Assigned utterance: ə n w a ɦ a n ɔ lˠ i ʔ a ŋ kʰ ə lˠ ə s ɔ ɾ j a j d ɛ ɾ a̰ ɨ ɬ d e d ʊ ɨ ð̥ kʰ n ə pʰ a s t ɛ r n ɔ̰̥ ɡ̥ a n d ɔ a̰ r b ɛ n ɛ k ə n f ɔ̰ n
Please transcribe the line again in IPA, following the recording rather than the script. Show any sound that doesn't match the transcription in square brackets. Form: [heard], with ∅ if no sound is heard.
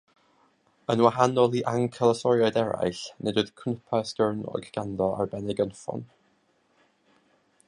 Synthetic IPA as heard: ə n w a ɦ a n ɔ lˠ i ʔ a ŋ kʰ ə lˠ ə s ɔ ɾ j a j d ɛ ɾ a̰ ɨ ɬ [n] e d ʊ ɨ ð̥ kʰ n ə pʰ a s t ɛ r n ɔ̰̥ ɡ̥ a n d ɔ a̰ r b ɛ n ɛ [ɡ] ə n f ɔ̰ n